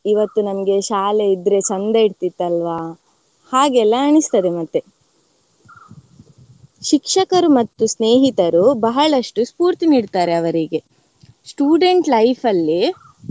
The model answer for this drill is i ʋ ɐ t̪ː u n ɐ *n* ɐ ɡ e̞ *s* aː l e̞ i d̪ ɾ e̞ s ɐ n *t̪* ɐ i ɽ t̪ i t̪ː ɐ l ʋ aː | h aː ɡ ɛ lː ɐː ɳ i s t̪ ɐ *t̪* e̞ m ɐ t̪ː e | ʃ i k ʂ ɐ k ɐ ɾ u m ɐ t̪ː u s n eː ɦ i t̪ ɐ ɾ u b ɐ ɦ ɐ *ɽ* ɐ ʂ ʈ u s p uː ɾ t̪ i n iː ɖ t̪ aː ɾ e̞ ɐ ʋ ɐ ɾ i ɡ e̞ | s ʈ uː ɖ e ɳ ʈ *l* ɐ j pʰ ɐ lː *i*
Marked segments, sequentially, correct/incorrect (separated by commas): incorrect, incorrect, incorrect, incorrect, incorrect, correct, correct